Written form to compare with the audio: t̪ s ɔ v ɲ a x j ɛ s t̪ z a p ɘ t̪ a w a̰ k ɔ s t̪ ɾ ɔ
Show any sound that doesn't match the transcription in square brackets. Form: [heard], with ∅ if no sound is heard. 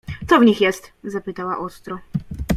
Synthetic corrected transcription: t̪ s ɔ v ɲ [i] x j ɛ s t̪ z a p ɘ t̪ a w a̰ [ʔ] ɔ s t̪ ɾ ɔ